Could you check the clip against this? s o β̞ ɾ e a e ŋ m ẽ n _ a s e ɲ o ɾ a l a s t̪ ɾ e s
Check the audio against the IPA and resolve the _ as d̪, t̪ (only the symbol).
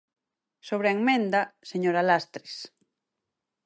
d̪